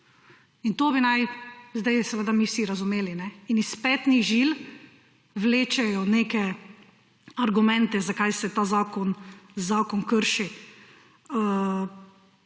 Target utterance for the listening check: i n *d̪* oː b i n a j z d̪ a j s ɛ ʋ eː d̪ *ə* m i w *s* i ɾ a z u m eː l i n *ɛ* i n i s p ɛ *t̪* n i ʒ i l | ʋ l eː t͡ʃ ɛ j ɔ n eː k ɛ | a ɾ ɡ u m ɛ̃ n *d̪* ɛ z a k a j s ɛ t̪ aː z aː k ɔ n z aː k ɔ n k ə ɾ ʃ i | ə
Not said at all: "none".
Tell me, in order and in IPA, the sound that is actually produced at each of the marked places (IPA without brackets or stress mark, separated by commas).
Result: t̪, a, s, ɛ, t̪, t̪